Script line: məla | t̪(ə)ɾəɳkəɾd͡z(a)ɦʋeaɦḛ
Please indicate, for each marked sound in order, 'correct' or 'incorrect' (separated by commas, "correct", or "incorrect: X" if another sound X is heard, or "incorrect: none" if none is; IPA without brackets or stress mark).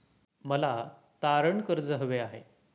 incorrect: a, incorrect: ə